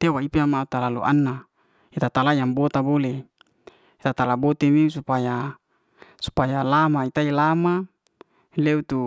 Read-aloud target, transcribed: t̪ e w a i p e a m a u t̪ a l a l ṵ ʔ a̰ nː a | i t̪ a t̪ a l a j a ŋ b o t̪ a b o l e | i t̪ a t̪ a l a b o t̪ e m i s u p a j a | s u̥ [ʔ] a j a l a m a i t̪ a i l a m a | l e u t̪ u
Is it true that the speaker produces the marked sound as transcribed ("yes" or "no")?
no